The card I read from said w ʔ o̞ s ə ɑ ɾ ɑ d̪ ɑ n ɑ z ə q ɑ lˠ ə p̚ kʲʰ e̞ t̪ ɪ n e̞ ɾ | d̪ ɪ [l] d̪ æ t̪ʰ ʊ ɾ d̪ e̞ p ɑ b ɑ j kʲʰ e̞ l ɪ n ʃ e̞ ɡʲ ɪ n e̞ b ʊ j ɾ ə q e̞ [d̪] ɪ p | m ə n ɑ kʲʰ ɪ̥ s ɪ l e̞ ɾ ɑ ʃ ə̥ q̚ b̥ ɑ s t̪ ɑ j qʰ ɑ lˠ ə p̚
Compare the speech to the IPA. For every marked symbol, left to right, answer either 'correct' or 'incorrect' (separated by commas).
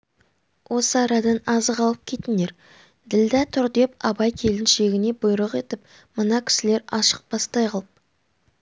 correct, incorrect